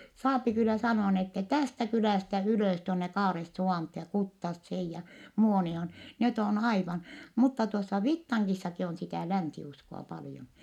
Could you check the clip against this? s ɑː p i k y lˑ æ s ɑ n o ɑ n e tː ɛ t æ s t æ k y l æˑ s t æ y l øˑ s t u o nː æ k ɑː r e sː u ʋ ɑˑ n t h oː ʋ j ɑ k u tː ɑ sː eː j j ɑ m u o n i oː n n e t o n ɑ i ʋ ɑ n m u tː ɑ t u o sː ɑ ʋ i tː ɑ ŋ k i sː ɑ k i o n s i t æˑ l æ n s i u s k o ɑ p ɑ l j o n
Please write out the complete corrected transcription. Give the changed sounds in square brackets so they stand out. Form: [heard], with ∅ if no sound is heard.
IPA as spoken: s ɑː p i k y lˑ æ s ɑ n o ɑ n e tː ɛ t æ s t æ k y l æˑ s t æ y l øˑ s t u o nː [e] k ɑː r e sː u ʋ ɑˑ n t h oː [∅] j ɑ k u tː ɑ sː eː j j ɑ m u o n i oː n n e t o n ɑ i ʋ ɑ n m u tː ɑ t u o sː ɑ ʋ i tː ɑ ŋ k i sː ɑ k i o n s i t æˑ l æ n s i u s k o ɑ p ɑ l j o n

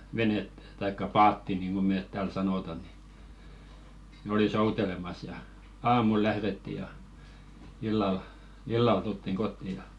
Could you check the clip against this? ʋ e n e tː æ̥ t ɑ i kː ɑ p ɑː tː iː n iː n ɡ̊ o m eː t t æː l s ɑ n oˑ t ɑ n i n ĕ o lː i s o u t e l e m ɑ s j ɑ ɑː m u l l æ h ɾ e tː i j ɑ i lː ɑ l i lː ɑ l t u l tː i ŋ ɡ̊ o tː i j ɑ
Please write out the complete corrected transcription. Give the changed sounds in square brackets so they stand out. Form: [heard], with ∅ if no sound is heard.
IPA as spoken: ʋ e n e tː æ̥ t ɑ i kː ɑ p ɑː tː [i] n iː n ɡ̊ o m eː t t æː l s ɑ n oˑ t ɑ n i n ĕ o [l] i s o u t e l e m ɑ s j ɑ ɑː m u l l æ h ɾ e tː i j ɑ i lː ɑ l i lː ɑ l t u l tː i ŋ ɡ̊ o tː i j ɑ

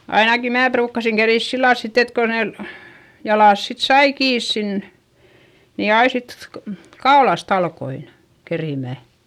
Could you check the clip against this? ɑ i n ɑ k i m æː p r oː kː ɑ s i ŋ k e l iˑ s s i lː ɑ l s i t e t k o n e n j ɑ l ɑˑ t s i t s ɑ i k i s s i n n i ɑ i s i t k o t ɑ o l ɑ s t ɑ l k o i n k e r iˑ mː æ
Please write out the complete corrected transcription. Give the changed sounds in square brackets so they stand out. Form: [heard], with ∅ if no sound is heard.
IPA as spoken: ɑ i n ɑ k i m æː p r [uː] kː ɑ s i ŋ k e [r] iˑ s s i lː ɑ l s i t e t k o n e n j ɑ l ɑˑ [s] s i t s ɑ i k [iː] s s i n n i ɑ i s i t k o [k] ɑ o l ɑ s t ɑ l k o i n k e r iˑ [m] æ

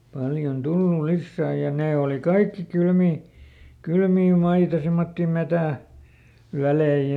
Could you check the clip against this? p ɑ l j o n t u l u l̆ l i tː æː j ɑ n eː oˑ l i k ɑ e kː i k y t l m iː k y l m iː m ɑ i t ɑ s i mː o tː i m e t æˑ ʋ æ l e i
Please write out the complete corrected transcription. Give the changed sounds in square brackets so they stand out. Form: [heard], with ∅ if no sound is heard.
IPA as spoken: p ɑ l j o n t u [lː] u l̆ l i [sː] æː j ɑ n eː oˑ l i k ɑ [i] kː i k y [∅] l m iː k y l m iː m ɑ i t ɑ s i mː o tː i m e t æˑ ʋ æ l e i

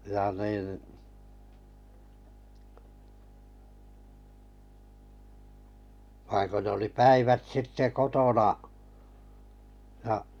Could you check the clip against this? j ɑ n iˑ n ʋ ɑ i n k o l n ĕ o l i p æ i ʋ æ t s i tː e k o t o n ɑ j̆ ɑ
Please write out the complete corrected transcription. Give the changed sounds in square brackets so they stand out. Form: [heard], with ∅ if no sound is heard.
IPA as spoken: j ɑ n iˑ n ʋ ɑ i [ŋ] k o [∅] n ĕ o l i p æ i ʋ æ t s i tː e k o t o n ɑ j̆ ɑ

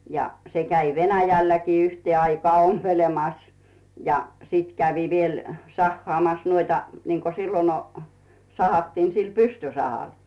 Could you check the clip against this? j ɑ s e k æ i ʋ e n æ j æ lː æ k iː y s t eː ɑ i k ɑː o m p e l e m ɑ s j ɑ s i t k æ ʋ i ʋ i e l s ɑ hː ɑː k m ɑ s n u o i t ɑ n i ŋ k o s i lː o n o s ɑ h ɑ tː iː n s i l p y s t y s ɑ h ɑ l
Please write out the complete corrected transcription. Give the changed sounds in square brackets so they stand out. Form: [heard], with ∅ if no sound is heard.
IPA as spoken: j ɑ s e k æ i ʋ e n æ j æ lː æ k iː y [h] t eː ɑ i k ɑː o m p e l e m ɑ s j ɑ s i t k æ ʋ i ʋ i e l s ɑ hː ɑː [∅] m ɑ s n u o i t ɑ n i ŋ k o s i lː o n o s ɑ h ɑ tː iː n s i l p y s t y s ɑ h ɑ l

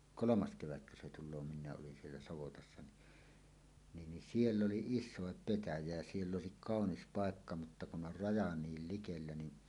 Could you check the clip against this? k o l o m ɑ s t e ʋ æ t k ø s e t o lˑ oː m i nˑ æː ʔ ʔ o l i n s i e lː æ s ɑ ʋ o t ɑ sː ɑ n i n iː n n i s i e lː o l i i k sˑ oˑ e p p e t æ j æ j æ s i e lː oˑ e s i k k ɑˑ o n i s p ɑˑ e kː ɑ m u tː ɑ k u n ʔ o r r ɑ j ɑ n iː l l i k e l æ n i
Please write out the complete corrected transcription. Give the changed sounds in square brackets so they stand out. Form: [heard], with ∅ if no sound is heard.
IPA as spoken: k o l o m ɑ s [k] e ʋ æ t k ø s e t [u] lˑ oː m i nˑ æː ʔ ʔ o l i n s i e lː æ s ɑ ʋ o t ɑ sː ɑ n i n iː n n i s i e lː o l i i [∅] sˑ oˑ e p p e t æ j æ j æ s i e lː oˑ e s i k k ɑˑ o n i s p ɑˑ e kː ɑ m u tː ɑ k u n ʔ o r r ɑ j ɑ n iː l l i k e [lː] æ n i

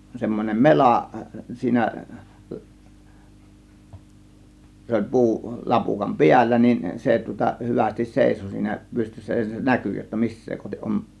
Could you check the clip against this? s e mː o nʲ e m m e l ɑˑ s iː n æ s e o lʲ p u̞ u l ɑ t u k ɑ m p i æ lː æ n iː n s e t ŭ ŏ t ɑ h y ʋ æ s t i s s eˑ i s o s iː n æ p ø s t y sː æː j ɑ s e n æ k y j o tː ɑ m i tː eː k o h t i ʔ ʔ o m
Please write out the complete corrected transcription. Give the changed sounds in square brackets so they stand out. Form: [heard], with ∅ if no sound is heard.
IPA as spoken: s e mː o nʲ e m m e l ɑˑ s iː n æ s e o lʲ p u̞ u l ɑ [p] u k ɑ m p i æ lː æ n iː n s e t ŭ ŏ t ɑ h y ʋ æ s t i s s eˑ i s o s iː n æ p [y] s t y sː [æ] j ɑ s e n æ k y j o tː ɑ m i [sː] eː k o h t i ʔ ʔ o m

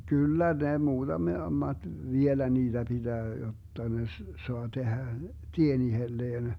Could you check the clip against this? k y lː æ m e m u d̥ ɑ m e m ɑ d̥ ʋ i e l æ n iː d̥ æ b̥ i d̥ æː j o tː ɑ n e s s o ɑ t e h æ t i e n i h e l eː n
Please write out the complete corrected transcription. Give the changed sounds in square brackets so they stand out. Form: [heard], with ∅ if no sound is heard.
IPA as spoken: k y lː æ [n] e m [uː] d̥ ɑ m e m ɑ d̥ ʋ i e l æ n iː d̥ æ b̥ i d̥ æː j o tː ɑ n e s s o ɑ t e h æ t i e n i h e [lː] eː n

